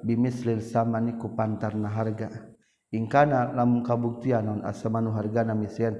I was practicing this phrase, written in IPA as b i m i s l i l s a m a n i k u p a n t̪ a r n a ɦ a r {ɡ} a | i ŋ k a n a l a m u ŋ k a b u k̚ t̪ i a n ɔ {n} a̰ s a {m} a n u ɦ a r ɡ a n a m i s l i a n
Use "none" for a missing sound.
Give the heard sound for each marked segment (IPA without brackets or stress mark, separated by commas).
ɡ, n, m